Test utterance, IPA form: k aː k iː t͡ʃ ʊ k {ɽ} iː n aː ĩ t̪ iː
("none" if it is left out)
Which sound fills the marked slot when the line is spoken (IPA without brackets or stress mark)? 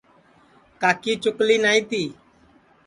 l